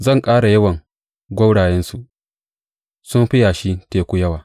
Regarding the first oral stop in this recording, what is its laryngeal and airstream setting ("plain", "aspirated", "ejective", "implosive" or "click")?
ejective